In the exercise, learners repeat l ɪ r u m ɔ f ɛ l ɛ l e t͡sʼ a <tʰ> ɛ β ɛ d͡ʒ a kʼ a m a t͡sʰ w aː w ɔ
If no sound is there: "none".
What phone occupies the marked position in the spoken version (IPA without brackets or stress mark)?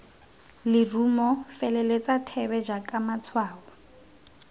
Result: tʰ